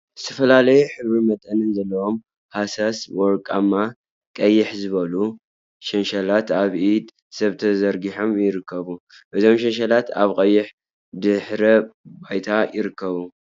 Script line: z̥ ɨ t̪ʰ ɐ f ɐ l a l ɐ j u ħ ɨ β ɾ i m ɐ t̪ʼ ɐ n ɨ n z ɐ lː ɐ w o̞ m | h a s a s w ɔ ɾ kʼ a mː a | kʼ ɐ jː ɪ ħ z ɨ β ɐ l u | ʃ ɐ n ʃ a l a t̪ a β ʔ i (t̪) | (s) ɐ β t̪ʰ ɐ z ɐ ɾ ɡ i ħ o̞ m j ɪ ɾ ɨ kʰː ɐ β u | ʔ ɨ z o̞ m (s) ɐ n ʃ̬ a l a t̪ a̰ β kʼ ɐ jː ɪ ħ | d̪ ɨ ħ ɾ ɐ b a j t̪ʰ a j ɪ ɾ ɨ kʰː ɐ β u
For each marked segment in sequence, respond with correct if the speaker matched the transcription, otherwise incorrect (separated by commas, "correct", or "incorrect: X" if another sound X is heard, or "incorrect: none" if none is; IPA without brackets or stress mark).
incorrect: d̪, correct, incorrect: ʃ